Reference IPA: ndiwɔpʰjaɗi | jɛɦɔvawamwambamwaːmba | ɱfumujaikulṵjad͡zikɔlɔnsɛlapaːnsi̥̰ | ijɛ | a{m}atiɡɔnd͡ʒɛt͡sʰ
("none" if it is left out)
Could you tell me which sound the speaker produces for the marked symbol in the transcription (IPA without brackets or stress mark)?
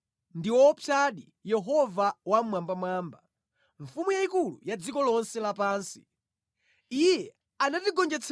n